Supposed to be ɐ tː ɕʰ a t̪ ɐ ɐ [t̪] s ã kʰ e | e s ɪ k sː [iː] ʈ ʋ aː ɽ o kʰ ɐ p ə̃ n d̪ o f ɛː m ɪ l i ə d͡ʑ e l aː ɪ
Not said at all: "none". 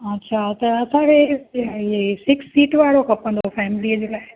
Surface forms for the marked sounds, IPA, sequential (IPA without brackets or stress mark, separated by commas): none, iː